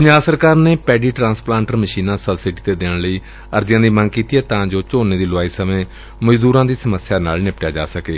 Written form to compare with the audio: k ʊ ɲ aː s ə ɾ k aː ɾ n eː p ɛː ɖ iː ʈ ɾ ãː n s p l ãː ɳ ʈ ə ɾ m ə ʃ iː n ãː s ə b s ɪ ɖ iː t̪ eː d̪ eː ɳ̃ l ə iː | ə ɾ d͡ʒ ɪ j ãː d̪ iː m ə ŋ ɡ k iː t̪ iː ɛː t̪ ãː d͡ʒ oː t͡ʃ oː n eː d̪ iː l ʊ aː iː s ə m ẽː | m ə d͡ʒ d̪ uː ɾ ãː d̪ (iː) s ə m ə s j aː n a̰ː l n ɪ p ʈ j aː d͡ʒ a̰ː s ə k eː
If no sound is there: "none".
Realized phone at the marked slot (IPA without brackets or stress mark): iː